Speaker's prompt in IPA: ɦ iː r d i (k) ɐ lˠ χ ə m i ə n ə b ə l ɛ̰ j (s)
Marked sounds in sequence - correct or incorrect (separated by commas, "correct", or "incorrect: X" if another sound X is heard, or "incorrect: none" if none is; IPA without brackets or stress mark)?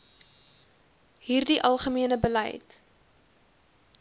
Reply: incorrect: ʔ, incorrect: t